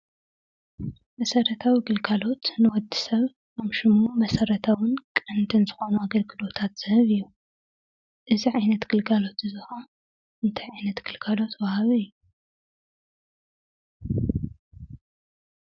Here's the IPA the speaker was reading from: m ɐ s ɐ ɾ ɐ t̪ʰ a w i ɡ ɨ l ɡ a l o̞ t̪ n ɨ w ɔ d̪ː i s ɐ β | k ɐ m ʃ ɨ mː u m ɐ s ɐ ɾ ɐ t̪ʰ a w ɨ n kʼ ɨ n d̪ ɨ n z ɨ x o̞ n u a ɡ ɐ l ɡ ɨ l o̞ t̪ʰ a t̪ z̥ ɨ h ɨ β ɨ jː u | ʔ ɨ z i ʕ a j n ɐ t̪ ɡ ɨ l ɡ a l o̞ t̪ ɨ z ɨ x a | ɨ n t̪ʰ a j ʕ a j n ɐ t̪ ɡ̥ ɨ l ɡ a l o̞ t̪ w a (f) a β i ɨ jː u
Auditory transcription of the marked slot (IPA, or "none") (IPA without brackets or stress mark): h